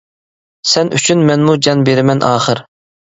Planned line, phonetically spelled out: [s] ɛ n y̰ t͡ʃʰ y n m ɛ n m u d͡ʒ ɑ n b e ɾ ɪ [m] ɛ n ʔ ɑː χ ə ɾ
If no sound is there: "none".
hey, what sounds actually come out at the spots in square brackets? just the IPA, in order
s, m

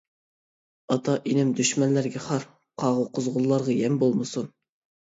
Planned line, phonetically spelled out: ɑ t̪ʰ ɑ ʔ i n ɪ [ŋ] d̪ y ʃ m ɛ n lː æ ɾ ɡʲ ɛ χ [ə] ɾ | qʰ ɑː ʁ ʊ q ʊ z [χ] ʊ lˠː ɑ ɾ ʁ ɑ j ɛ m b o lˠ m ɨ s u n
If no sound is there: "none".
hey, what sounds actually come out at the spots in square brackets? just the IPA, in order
m, ɑ, ʁ

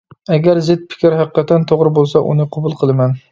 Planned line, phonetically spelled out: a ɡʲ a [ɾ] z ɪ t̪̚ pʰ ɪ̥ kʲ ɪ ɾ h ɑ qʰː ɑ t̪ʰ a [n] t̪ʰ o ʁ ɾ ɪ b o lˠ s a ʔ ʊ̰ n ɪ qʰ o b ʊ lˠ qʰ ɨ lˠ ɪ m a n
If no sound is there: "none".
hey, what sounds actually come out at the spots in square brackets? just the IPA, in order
ɾ, n

